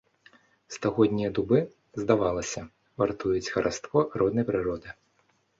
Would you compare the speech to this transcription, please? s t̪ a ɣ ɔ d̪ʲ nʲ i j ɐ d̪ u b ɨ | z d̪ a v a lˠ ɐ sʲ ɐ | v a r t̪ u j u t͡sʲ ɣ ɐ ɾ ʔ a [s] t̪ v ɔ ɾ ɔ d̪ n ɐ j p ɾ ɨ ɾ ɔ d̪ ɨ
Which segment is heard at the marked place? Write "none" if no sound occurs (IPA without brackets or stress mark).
s